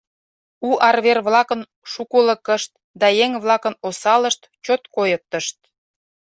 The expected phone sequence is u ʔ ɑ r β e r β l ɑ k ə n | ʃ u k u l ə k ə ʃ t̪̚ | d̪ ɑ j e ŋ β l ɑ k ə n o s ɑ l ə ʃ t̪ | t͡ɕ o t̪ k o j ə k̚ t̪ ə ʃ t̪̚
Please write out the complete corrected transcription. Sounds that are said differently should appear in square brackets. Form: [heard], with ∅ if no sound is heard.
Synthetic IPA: u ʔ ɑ r β e r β l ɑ k ə n | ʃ u k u l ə k ə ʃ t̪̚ | d̪ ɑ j e ŋ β l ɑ k ə n o s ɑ l ə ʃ t̪ | t͡ɕ o t̪ k o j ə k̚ t̪ ə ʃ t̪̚